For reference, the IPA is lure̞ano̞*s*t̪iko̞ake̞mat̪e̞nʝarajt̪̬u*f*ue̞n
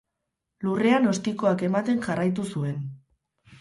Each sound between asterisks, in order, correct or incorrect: correct, incorrect

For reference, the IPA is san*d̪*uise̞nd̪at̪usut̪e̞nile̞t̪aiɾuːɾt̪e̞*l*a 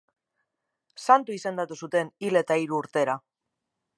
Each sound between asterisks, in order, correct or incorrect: incorrect, incorrect

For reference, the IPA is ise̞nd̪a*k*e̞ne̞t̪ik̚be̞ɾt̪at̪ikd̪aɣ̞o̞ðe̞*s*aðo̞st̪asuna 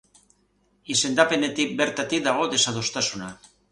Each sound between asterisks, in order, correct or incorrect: incorrect, correct

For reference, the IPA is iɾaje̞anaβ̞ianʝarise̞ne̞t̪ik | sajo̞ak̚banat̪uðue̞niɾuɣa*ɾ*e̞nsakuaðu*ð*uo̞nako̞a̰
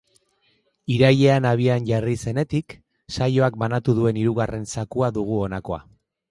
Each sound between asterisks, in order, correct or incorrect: incorrect, incorrect

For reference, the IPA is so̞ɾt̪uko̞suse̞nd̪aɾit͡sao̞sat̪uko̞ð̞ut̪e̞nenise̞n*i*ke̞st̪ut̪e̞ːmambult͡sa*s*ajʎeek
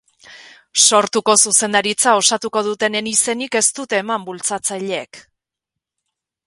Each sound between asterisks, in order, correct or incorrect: correct, incorrect

